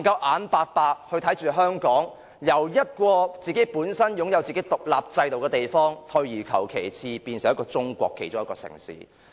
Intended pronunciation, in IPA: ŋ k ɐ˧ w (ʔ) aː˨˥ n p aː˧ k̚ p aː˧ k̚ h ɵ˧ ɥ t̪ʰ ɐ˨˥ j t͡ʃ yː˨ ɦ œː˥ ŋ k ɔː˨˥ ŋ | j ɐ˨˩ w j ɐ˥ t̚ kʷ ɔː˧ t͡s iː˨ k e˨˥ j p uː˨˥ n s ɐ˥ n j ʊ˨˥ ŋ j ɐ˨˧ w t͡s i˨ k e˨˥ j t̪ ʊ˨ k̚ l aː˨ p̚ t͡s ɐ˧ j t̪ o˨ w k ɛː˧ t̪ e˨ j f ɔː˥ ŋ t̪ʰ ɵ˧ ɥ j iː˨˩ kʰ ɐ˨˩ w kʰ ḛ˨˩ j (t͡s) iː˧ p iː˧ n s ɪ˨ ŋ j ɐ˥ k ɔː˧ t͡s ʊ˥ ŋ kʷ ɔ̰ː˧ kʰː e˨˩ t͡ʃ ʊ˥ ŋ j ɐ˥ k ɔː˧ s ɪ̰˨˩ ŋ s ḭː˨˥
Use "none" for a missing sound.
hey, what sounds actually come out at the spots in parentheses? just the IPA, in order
ʔ, t͡sʰ

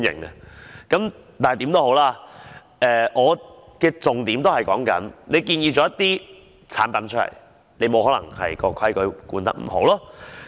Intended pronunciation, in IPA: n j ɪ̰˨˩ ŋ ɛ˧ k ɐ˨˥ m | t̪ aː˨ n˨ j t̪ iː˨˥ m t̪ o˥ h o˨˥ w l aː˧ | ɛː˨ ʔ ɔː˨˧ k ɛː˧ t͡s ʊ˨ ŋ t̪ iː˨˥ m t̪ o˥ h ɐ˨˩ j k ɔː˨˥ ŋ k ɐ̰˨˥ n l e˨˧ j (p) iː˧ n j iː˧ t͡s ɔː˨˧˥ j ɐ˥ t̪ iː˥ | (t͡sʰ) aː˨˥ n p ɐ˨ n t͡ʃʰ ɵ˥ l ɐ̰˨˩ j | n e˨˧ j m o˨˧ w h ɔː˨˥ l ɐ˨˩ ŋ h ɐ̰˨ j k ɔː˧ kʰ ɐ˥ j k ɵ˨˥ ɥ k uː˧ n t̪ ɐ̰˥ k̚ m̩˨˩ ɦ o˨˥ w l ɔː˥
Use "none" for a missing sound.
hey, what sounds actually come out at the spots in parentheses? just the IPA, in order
k, t͡sʰ

